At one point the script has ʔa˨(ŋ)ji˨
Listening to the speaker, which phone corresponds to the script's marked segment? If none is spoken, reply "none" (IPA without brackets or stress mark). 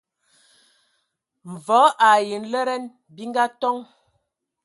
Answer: none